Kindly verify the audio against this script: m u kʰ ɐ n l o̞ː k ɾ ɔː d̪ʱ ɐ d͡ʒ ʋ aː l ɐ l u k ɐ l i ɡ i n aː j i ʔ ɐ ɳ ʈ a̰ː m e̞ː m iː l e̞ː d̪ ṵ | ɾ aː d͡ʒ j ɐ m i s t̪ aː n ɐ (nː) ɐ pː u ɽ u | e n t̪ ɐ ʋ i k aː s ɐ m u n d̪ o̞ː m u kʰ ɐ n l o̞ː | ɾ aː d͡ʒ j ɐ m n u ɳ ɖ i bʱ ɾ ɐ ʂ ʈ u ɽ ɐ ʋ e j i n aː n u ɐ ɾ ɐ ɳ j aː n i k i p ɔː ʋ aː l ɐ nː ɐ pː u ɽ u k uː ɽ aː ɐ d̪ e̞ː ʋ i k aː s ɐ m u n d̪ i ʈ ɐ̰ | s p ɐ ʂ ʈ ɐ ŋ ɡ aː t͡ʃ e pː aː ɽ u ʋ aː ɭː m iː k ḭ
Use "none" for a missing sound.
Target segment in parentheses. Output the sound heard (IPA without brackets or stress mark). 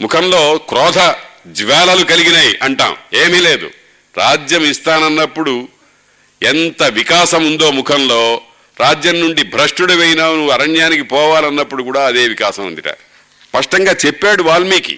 nː